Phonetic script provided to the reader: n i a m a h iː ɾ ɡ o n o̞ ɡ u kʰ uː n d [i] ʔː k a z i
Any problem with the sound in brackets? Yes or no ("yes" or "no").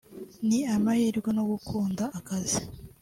yes